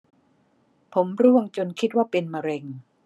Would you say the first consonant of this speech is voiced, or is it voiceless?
voiceless